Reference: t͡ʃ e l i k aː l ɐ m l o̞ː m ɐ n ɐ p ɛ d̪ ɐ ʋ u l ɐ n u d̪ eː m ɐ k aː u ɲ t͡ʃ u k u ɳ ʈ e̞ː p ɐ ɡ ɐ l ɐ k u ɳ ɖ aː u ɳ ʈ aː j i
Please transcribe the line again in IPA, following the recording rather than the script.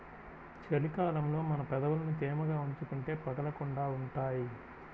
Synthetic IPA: t͡ʃ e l i k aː l ɐ m l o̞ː m ɐ n ɐ p ɛ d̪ ɐ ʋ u l ɐ n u t̪ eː m ɐ ɡ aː u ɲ t͡ʃ u k u ɳ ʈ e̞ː p ɐ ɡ ɐ l ɐ k u ɳ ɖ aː u ɳ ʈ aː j i